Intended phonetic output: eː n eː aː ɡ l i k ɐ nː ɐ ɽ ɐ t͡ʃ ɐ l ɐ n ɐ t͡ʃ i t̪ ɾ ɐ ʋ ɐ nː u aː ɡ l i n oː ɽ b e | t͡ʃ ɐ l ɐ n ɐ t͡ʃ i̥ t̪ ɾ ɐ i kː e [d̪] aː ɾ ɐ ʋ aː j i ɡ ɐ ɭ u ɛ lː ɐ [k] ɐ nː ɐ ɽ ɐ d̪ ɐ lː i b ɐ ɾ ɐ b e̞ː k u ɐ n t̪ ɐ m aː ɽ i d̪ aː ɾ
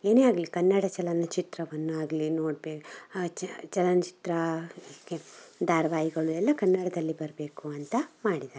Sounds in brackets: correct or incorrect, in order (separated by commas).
correct, correct